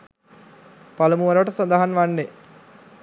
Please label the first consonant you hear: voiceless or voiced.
voiceless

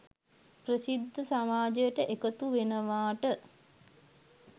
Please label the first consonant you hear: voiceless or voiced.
voiceless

